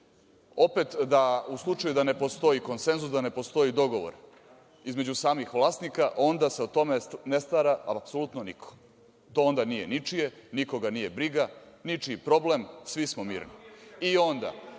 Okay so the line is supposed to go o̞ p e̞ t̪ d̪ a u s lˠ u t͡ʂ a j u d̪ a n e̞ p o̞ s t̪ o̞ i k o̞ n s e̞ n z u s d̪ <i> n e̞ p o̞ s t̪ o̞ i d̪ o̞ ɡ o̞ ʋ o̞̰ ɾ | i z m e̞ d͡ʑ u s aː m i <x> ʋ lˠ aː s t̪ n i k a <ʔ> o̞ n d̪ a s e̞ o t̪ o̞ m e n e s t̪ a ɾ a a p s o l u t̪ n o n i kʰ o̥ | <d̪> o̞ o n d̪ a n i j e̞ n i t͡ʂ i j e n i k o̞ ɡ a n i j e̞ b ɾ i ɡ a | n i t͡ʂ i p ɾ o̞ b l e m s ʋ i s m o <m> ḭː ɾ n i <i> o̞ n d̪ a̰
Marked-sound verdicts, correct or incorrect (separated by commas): incorrect, correct, correct, incorrect, correct, correct